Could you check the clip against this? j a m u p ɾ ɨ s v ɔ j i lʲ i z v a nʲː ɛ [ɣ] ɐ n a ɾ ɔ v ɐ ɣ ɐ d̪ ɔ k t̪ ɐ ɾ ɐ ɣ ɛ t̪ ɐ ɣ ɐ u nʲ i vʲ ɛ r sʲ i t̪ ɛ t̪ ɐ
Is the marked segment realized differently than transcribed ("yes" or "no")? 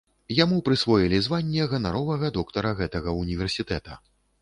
no